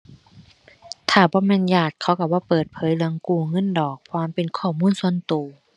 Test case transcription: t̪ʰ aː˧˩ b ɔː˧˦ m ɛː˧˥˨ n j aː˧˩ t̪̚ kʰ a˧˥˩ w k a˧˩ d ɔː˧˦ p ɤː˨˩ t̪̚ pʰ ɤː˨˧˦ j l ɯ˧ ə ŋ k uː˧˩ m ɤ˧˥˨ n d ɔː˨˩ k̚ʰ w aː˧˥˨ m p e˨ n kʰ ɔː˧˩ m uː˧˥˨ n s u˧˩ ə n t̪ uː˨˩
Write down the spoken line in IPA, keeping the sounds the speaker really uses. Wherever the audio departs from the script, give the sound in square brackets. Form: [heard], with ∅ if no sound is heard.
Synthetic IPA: t̪ʰ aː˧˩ b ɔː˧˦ m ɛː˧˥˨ n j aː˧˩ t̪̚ kʰ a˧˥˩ w k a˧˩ [b] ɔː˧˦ p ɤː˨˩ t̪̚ pʰ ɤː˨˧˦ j l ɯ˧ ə ŋ k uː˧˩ [ŋ] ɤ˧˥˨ n d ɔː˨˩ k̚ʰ w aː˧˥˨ m p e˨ n kʰ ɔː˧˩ m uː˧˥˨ n s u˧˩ ə n t̪ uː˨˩